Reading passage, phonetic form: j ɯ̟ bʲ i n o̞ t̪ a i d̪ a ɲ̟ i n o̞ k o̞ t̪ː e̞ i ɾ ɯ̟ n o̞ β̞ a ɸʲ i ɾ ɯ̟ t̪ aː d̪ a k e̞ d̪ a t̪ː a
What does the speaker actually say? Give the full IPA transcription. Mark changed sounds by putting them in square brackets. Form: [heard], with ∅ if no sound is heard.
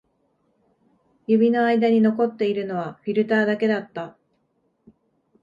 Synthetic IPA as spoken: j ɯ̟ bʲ i n o̞ [∅] a i d̪ a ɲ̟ i n o̞ k o̞ t̪ː e̞ i ɾ ɯ̟ n o̞ β̞ a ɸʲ i ɾ ɯ̟ t̪ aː d̪ a k e̞ d̪ a t̪ː a